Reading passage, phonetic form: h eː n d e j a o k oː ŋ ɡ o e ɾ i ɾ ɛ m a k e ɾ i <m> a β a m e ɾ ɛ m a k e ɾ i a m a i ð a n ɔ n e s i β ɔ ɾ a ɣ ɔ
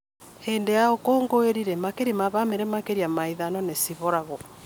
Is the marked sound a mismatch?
no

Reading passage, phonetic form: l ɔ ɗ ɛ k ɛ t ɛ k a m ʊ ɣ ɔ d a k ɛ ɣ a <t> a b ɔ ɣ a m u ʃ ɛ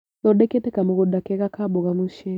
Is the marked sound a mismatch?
yes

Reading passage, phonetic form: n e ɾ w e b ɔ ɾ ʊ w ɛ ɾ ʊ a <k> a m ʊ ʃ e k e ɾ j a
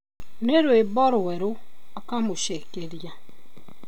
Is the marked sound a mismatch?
no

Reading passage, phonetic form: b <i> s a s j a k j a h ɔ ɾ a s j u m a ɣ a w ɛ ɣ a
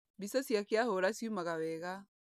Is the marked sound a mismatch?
no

